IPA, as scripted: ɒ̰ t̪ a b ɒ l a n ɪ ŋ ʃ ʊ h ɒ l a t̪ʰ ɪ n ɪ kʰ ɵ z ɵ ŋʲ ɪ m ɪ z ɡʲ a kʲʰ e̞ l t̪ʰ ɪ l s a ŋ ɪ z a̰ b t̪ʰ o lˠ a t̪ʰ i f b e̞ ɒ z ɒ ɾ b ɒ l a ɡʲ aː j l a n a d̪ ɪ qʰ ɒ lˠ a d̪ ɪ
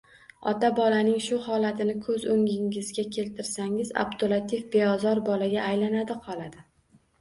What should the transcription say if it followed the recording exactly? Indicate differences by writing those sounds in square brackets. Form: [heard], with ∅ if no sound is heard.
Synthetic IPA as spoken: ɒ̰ t̪ a b ɒ l a n ɪ ŋ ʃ ʊ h ɒ l a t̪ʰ ɪ n ɪ kʰ ɵ z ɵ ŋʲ ɪ [ŋ] ɪ z ɡʲ a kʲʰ e̞ l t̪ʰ ɪ [ɾ] s a ŋ ɪ z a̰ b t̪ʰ o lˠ a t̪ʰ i f b e̞ ɒ z ɒ ɾ b ɒ l a ɡʲ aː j l a n a d̪ ɪ qʰ ɒ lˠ a d̪ ɪ